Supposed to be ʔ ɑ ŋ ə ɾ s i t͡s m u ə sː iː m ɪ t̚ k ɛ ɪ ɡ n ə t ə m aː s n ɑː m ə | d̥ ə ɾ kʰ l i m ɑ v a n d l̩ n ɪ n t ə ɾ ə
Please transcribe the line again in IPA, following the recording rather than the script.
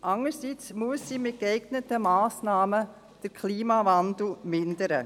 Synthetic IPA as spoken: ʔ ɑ ŋ ə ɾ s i t͡s m u ə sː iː m ɪ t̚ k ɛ ɪ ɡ n ə t ə m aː s n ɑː m ə | d̥ ə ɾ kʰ l iː m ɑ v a n d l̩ m ɪ n d ə ɾ ə